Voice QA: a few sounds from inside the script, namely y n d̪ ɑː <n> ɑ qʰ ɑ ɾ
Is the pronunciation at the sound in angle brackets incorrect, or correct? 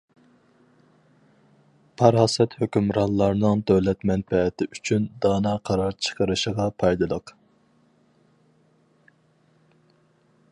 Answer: correct